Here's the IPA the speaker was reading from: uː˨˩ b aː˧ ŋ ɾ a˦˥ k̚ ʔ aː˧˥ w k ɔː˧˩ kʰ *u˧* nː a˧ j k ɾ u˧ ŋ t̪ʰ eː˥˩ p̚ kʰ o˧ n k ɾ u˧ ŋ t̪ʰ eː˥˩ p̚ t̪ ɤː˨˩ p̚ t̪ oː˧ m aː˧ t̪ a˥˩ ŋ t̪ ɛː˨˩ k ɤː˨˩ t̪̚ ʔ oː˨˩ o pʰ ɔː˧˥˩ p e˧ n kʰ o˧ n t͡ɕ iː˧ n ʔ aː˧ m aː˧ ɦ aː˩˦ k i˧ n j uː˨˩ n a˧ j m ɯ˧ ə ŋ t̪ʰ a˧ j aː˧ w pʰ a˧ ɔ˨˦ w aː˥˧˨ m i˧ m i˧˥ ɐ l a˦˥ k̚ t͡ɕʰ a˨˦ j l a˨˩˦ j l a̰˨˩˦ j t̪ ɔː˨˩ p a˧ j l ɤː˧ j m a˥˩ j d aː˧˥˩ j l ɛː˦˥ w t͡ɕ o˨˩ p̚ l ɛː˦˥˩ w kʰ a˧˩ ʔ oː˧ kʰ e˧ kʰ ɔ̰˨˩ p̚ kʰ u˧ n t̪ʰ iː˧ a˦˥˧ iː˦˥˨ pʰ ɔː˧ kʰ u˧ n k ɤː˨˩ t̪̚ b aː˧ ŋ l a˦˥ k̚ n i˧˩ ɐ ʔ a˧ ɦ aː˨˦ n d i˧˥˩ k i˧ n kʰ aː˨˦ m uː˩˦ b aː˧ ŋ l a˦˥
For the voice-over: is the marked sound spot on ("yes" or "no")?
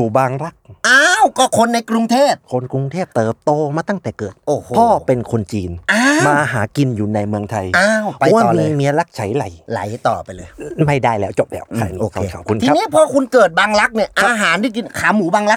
no